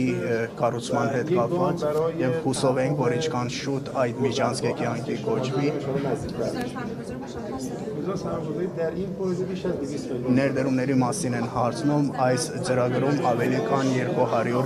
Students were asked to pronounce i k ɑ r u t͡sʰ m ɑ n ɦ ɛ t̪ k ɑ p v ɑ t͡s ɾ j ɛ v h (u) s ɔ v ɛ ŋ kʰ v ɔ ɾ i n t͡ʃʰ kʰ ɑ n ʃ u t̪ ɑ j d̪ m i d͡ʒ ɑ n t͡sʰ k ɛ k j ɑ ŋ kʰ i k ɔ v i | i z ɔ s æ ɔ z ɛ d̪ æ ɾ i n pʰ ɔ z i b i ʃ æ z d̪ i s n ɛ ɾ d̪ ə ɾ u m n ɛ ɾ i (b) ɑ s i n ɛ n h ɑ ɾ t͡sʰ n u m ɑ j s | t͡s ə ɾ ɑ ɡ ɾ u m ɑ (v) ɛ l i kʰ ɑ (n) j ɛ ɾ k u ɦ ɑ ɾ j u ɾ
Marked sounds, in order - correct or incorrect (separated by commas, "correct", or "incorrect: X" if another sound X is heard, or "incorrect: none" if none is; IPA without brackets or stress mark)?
correct, incorrect: m, correct, correct